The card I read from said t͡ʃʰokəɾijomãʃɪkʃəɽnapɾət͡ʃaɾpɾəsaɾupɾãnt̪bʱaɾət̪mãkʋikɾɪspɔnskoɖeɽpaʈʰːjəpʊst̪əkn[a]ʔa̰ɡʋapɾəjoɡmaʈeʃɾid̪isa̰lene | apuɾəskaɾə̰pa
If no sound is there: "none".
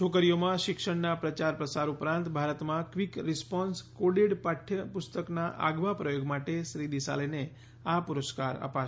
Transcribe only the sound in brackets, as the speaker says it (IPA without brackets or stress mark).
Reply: a